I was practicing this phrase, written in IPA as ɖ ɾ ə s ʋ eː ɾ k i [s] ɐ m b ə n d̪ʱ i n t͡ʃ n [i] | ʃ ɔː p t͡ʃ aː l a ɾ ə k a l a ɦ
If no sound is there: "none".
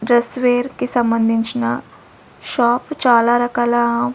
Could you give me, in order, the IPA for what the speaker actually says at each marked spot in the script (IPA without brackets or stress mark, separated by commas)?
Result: s, a